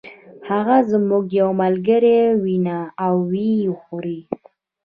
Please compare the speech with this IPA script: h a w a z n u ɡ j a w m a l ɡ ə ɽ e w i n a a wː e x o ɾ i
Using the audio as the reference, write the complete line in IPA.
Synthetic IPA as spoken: h a ɣ a z m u ɡ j a w m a l ɡ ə ɾ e w i n a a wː i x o ɾ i